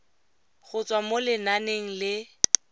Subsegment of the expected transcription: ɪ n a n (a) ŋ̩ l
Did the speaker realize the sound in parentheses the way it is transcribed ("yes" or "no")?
no